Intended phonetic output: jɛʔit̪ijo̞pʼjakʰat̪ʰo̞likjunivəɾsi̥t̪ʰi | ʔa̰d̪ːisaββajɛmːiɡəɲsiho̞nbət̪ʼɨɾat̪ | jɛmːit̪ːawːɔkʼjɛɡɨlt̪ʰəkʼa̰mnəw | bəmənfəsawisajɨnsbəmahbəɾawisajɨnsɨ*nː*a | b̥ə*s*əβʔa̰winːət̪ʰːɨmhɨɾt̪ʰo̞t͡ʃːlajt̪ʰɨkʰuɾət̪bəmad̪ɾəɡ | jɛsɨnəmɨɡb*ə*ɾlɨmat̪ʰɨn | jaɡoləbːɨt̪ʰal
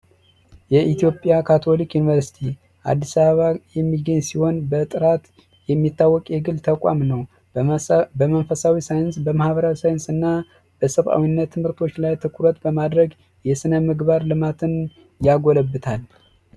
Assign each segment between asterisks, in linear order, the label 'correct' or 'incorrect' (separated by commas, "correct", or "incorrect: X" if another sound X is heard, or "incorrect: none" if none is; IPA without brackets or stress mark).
correct, correct, incorrect: a